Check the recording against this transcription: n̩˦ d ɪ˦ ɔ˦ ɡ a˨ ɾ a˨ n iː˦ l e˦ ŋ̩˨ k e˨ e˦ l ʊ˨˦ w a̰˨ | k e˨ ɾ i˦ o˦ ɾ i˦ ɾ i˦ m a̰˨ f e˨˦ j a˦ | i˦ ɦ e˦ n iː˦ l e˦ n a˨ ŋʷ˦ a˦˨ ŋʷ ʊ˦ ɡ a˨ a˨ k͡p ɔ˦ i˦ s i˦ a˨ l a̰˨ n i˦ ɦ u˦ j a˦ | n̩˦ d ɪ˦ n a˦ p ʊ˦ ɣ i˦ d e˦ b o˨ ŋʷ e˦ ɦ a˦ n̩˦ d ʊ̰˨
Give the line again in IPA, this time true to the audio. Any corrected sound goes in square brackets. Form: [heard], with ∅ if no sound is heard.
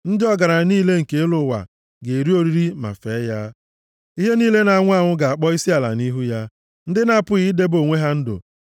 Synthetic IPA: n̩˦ d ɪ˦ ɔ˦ ɡ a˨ ɾ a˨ n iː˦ l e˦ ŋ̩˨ k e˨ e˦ l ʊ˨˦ w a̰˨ | [ɡ] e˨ ɾ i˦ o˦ ɾ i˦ ɾ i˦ m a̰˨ f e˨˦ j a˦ | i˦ ɦ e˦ n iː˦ l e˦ n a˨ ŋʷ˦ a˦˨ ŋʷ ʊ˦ ɡ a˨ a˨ k͡p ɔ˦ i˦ s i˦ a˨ l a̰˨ n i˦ ɦ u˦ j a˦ | n̩˦ d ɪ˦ n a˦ p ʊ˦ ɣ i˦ d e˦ b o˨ ŋʷ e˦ ɦ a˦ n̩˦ d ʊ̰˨

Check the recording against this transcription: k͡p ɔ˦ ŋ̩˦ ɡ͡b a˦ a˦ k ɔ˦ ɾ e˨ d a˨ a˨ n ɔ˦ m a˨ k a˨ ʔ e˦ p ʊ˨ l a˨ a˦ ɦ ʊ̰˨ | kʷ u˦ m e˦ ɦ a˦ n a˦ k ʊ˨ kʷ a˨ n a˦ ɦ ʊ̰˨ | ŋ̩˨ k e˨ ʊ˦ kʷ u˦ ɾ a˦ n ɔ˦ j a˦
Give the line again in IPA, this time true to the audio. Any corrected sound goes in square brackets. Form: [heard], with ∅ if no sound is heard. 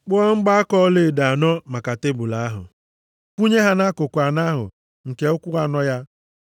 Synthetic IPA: k͡p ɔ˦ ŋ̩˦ ɡ͡b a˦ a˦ k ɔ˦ [l] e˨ d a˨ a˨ n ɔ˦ m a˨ k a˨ [t] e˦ [b] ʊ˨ l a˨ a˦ ɦ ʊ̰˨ | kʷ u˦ [ɲ] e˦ ɦ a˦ n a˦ k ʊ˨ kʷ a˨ n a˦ ɦ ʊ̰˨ | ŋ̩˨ k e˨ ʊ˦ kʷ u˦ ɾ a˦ n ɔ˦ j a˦

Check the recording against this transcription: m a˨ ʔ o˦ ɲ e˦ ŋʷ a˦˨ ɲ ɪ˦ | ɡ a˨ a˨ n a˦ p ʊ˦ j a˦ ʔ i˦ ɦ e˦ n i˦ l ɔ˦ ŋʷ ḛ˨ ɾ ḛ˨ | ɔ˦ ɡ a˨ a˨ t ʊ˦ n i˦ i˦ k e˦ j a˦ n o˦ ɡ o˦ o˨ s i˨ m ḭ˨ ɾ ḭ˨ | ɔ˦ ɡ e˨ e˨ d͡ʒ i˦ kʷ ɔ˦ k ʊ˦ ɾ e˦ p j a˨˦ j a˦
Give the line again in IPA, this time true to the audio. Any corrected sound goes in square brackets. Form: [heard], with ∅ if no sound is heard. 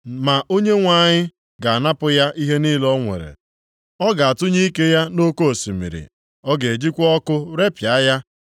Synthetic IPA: m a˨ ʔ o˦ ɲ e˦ ŋʷ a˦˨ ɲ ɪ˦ | ɡ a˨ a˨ n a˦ p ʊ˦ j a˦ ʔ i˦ ɦ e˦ n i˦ l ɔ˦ ŋʷ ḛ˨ ɾ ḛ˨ | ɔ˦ ɡ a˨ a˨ t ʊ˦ [ɲ] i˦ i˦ k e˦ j a˦ n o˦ [k] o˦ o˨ s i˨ m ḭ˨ ɾ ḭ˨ | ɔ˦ ɡ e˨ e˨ d͡ʒ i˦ kʷ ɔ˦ k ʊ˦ ɾ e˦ p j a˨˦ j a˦

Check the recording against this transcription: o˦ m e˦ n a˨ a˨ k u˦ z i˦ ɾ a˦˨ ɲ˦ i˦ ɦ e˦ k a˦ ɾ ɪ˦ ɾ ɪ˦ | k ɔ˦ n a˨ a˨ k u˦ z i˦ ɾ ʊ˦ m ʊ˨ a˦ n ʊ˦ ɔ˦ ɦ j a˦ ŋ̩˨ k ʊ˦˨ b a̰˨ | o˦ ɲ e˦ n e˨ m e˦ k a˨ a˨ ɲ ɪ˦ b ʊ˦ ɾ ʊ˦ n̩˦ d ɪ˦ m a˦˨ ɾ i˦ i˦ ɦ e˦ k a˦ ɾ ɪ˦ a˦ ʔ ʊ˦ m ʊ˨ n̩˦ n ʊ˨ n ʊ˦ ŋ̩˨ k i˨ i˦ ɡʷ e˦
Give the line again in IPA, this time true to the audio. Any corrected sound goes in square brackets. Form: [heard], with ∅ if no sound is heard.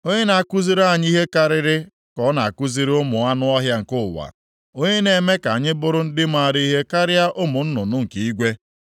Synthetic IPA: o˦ [ɲ] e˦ n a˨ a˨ k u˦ z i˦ ɾ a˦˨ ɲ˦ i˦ ɦ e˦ k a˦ ɾ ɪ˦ ɾ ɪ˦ | k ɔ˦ n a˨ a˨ k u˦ z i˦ ɾ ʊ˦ m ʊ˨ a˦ n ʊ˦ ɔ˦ ɦ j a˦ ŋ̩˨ k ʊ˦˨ [w] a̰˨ | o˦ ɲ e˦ n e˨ m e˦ k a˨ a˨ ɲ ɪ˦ b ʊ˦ ɾ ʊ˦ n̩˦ d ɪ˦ m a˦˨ ɾ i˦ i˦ ɦ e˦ k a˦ ɾ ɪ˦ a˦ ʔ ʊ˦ m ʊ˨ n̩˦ n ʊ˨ n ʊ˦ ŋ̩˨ k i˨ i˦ ɡʷ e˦

